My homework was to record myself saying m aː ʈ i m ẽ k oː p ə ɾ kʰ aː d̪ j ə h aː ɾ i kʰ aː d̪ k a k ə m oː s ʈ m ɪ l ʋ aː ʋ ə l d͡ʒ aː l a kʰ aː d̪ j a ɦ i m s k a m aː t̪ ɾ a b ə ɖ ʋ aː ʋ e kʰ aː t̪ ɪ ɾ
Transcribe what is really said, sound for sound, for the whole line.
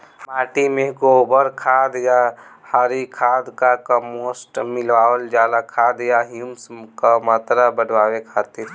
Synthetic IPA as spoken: m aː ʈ i m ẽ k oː b ə ɾ kʰ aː d̪ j a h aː ɾ i kʰ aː d̪ k a k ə m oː s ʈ m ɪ l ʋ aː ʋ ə l d͡ʒ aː l a kʰ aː d̪ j a ɦ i m s k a m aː t̪ ɾ a b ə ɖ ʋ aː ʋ e kʰ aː t̪ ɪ ɾ